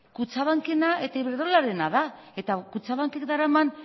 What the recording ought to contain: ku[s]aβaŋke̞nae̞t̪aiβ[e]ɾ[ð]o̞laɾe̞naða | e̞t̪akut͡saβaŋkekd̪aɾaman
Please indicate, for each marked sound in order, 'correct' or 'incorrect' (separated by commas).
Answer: incorrect, correct, correct